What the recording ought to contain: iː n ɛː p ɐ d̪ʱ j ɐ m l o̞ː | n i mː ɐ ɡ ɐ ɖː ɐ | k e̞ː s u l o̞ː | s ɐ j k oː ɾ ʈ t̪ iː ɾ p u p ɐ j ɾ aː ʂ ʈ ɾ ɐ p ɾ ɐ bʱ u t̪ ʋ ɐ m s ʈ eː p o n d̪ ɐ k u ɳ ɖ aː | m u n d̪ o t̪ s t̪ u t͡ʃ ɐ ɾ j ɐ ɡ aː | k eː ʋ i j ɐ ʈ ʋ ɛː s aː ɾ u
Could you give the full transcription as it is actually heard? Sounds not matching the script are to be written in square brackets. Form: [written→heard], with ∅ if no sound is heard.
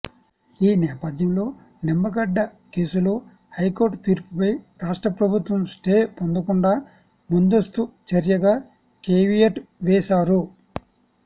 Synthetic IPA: iː n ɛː p ɐ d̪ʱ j ɐ m l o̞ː | n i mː ɐ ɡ ɐ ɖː ɐ | k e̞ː s u l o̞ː | [s→h] ɐ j k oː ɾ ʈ t̪ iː ɾ p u p ɐ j ɾ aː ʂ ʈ ɾ ɐ p ɾ ɐ bʱ u t̪ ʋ ɐ m s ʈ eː p o n d̪ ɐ k u ɳ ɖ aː | m u n d̪ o [t̪→∅] s t̪ u t͡ʃ ɐ ɾ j ɐ ɡ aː | k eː ʋ i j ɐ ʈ ʋ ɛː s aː ɾ u